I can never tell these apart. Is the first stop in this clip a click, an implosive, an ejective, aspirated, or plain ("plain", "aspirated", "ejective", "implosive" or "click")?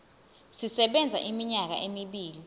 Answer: implosive